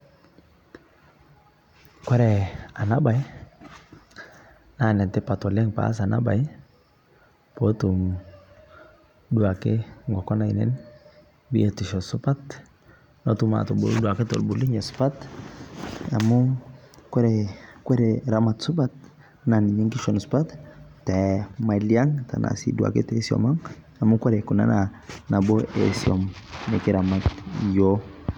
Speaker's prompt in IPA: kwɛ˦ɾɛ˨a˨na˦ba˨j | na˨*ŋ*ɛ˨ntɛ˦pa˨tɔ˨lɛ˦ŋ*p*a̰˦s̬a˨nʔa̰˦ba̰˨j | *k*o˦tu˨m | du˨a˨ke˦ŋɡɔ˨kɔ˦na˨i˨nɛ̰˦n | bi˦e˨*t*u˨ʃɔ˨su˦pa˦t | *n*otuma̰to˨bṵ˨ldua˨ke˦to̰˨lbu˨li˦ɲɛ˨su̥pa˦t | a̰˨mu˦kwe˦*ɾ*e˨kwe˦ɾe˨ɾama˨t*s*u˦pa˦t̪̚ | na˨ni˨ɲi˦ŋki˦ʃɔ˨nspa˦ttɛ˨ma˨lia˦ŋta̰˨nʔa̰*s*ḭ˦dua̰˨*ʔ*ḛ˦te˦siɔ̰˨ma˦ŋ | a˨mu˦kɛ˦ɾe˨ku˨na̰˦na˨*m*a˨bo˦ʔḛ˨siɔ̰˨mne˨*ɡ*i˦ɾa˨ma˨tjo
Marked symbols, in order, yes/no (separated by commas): no, yes, no, yes, yes, yes, yes, yes, no, no, no